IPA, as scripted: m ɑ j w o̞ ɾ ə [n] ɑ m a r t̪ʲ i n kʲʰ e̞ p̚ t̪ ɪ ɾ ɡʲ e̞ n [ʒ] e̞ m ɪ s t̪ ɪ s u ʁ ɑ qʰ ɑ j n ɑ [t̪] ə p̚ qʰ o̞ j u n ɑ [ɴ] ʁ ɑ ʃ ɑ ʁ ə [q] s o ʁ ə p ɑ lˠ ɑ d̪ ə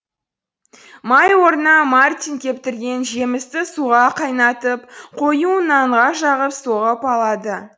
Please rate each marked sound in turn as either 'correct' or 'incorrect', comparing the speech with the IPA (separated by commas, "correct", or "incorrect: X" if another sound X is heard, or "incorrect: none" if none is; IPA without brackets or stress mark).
correct, correct, correct, correct, incorrect: p